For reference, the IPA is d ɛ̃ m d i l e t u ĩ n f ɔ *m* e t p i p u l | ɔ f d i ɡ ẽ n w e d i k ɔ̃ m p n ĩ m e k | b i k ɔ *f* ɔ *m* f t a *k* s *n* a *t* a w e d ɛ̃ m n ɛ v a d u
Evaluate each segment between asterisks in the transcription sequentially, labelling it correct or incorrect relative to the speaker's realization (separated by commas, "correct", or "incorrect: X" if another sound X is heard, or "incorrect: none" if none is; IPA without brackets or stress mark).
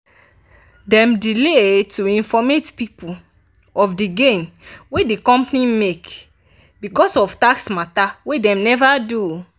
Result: correct, incorrect: s, incorrect: none, correct, incorrect: m, correct